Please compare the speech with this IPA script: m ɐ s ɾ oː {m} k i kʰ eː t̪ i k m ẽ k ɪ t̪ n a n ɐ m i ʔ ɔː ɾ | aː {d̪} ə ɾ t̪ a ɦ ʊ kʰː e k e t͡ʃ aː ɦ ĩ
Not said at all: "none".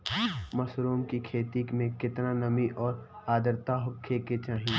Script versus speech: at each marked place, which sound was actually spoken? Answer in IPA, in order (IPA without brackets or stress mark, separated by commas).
m, d̪